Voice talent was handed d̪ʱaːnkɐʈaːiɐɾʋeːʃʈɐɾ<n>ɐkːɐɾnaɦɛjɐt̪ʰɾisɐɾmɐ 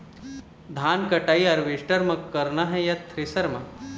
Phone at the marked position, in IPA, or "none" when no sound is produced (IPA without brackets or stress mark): m